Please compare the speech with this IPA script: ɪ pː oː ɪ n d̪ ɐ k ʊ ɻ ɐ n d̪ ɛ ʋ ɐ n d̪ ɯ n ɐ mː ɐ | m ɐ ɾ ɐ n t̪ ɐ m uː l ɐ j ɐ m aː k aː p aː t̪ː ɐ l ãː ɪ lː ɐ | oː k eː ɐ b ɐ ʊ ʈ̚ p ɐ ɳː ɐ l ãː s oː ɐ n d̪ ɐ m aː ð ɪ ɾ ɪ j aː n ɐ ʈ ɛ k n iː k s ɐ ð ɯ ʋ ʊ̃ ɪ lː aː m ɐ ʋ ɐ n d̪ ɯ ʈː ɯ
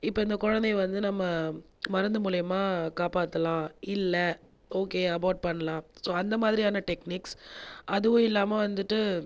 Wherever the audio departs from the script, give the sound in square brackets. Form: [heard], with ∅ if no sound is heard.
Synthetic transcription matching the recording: ɪ pː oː ɪ n d̪ ɐ k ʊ ɻ ɐ n d̪ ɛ ʋ ɐ n d̪ ɯ n ɐ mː ɐ | m ɐ ɾ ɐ n [d̪] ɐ m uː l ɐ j ɐ m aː k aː p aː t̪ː ɐ l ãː ɪ lː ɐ | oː k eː ɐ b ɐ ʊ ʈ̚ p ɐ ɳː ɐ l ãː s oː ɐ n d̪ ɐ m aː ð ɪ ɾ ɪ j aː n ɐ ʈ ɛ k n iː k s ɐ ð ɯ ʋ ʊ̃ ɪ lː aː m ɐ ʋ ɐ n d̪ ɯ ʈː ɯ